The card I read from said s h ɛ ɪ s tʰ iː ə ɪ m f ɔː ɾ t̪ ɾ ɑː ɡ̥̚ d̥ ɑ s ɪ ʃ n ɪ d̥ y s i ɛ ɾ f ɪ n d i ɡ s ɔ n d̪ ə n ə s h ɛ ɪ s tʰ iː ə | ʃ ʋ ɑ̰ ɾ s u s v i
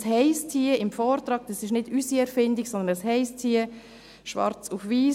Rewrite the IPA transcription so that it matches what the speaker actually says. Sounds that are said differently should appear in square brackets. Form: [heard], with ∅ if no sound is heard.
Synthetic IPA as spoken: s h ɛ ɪ s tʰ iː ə ɪ m f ɔː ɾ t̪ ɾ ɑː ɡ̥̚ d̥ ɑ s ɪ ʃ n ɪ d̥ y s i ɛ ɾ f ɪ n d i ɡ s ɔ n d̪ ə n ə s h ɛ ɪ s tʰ iː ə | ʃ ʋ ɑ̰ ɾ [t͡s] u [f] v [iː]